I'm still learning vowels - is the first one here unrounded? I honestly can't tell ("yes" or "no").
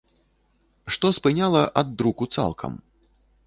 no